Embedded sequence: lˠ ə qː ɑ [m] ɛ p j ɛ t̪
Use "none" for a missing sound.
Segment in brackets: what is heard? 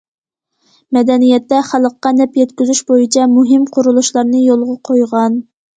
n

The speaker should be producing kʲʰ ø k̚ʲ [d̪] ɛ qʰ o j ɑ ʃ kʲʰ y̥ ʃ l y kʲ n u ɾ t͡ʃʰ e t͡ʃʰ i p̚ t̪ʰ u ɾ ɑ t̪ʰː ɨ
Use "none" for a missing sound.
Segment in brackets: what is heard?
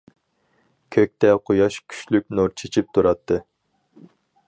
t̪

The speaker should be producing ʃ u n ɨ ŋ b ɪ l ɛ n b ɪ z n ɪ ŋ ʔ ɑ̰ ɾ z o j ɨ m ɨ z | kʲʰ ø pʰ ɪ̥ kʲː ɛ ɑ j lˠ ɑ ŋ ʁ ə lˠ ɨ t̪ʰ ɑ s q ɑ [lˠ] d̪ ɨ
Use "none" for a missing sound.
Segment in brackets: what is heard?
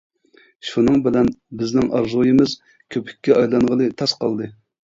lˠ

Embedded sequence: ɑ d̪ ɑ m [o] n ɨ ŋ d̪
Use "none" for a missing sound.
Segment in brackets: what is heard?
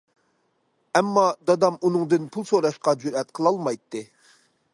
u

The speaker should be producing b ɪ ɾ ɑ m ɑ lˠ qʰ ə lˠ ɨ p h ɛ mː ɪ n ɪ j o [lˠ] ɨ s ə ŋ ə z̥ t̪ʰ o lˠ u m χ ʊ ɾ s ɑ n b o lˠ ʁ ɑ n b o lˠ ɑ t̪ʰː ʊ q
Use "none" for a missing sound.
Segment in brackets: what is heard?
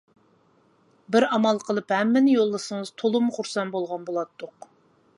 lˠː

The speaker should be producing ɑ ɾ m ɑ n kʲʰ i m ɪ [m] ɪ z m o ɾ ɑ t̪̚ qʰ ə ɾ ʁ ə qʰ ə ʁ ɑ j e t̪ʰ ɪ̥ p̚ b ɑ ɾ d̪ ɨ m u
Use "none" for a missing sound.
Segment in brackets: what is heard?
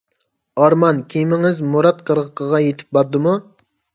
ŋ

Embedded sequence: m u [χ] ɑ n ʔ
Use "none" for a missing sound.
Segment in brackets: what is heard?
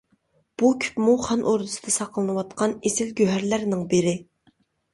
χ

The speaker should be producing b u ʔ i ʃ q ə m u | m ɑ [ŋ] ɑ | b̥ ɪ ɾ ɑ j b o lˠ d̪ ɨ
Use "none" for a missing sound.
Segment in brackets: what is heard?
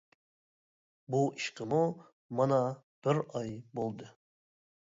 n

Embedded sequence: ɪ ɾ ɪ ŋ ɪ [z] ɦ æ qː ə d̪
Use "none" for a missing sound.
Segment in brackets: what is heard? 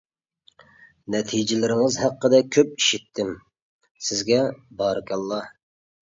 z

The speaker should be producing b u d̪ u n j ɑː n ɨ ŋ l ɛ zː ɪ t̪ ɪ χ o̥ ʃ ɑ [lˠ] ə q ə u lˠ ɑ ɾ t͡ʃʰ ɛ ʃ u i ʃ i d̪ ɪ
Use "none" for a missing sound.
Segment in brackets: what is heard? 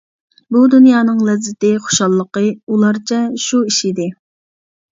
lˠː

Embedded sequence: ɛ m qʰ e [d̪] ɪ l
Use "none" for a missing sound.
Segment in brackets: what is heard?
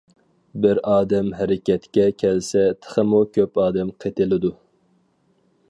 t̪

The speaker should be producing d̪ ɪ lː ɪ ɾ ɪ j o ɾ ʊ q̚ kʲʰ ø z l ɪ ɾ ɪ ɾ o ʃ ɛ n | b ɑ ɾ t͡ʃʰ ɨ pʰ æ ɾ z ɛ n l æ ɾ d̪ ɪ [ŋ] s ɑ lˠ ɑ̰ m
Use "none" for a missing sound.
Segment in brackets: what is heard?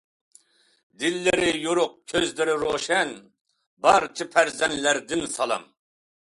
n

